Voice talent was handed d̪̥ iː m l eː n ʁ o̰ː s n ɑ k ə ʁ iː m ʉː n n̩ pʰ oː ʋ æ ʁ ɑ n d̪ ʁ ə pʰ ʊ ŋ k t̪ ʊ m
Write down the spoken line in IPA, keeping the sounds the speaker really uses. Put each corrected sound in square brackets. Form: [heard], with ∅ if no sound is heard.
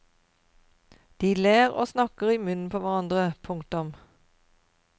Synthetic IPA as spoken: d̪̥ iː [∅] l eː [∅] ʁ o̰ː s n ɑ k ə ʁ iː m [ʉ] n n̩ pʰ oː ʋ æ ʁ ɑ n d̪ ʁ ə pʰ ʊ ŋ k t̪ ʊ m